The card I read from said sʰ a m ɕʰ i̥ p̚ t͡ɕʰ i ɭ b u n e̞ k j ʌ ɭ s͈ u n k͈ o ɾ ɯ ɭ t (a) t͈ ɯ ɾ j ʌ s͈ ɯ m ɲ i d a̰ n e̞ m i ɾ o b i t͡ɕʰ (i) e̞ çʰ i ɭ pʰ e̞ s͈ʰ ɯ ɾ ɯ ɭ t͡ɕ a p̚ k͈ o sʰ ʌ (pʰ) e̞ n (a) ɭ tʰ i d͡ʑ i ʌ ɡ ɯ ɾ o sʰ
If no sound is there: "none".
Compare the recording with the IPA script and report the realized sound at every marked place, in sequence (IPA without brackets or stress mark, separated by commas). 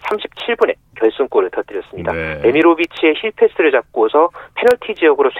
ʌ, i, pʰ, ʌ